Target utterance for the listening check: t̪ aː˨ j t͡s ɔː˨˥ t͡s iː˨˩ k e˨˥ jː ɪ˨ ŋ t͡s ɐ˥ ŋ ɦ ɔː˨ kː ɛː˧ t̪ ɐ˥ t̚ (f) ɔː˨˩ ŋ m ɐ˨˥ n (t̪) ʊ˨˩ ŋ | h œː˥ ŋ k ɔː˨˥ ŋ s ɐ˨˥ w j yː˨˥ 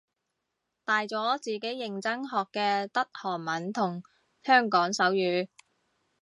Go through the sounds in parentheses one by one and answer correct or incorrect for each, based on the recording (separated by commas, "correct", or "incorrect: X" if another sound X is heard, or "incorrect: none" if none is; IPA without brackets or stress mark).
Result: incorrect: h, incorrect: t̪ʰ